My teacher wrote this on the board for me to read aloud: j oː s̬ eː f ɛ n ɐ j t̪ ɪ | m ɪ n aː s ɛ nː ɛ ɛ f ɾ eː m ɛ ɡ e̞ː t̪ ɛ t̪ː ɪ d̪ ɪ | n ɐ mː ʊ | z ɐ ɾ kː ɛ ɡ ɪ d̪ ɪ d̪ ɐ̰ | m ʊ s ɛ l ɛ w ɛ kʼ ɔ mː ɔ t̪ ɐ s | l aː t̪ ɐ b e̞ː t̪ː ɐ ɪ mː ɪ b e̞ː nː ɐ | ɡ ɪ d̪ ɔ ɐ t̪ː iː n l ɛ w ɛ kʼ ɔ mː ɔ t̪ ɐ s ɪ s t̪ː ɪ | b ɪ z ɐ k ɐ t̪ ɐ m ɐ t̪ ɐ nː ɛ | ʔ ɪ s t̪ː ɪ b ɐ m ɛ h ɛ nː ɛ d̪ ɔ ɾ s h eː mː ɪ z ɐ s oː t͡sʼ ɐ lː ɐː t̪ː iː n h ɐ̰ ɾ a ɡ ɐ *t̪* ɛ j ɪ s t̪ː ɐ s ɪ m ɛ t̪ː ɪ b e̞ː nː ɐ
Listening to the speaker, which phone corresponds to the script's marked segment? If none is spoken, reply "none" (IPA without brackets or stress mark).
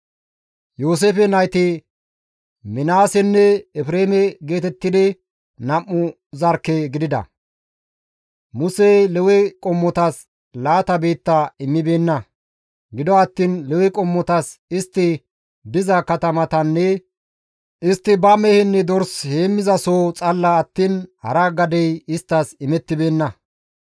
d̪